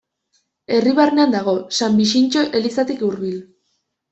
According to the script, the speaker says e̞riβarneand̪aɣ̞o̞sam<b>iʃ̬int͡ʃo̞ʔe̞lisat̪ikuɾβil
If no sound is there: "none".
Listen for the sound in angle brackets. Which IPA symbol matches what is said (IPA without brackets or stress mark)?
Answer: b